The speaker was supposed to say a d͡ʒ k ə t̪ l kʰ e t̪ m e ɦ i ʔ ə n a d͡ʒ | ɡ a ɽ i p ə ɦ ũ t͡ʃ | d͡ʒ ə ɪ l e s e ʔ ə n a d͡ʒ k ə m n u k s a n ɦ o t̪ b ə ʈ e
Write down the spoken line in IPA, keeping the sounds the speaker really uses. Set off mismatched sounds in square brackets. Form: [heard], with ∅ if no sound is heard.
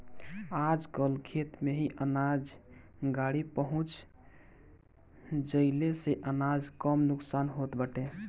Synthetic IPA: a d͡ʒ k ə [∅] l kʰ e t̪ m e ɦ i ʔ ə n a d͡ʒ | ɡ a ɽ i p ə ɦ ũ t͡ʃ | d͡ʒ ə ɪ l e s e ʔ ə n a d͡ʒ k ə m n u k s a n ɦ o t̪ b ə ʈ e